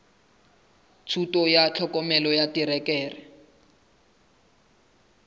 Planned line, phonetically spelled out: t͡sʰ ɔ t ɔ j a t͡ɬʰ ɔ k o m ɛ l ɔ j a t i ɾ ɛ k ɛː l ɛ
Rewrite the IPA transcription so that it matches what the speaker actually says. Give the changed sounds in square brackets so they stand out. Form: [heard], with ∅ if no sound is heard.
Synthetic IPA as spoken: t͡sʰ [u] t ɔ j a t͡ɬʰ ɔ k [ɔ] m ɛ l ɔ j a t i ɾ ɛ k ɛː [r] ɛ